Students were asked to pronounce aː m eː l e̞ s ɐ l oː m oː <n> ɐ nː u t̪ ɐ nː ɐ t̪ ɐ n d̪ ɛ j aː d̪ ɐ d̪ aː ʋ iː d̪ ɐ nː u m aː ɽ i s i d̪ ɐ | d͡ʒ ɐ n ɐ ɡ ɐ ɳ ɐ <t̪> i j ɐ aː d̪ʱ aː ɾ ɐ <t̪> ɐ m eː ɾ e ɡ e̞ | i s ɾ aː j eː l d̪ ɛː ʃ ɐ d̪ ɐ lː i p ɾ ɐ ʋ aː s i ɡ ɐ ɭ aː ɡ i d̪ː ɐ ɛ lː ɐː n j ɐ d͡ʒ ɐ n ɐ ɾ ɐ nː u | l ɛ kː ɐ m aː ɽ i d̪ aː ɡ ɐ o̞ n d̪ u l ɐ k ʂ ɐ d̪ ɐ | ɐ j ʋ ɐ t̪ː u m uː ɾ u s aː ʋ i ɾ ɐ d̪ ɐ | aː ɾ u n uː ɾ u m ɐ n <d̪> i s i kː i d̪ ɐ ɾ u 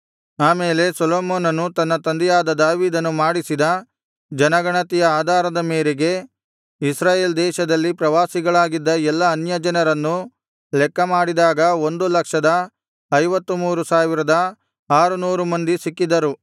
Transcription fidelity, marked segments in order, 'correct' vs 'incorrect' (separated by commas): correct, correct, incorrect, correct